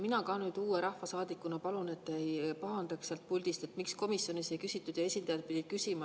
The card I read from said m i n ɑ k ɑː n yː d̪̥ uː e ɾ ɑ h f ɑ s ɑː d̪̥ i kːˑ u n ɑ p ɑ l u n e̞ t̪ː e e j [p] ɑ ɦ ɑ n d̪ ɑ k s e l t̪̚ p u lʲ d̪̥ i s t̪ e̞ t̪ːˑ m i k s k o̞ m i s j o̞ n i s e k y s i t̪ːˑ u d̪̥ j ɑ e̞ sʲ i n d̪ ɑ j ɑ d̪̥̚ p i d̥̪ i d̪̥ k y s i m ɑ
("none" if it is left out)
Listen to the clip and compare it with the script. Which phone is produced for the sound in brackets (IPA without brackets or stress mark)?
p